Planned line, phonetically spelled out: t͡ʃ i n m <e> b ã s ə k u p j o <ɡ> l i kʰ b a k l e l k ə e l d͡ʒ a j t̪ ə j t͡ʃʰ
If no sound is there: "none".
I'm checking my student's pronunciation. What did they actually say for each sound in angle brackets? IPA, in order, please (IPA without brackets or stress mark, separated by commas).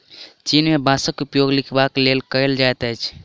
e, ɡ